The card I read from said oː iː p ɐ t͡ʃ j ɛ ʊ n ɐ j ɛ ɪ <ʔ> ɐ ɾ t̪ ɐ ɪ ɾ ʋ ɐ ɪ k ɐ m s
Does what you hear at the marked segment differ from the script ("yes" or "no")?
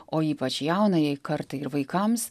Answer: yes